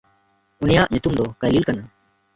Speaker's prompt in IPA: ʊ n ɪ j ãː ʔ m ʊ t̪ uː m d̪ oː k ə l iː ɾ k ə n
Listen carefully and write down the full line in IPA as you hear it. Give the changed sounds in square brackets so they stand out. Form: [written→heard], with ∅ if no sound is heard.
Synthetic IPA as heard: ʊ n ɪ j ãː ʔ [m→ɲ] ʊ t̪ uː m d̪ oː k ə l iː [ɾ→l] k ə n